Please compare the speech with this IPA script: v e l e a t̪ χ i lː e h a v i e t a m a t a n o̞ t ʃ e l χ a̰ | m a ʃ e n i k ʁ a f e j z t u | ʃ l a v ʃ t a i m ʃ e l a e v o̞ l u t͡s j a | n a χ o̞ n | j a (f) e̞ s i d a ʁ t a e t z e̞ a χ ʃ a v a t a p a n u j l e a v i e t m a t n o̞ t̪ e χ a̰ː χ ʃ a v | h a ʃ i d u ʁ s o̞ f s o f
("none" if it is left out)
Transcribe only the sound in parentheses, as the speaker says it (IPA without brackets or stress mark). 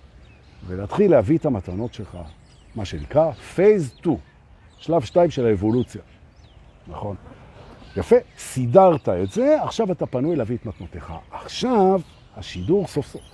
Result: f